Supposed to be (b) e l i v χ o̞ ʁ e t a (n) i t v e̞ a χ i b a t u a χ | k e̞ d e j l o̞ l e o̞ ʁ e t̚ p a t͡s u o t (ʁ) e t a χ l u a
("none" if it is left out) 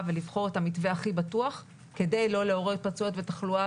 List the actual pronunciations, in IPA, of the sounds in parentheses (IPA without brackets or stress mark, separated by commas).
v, m, v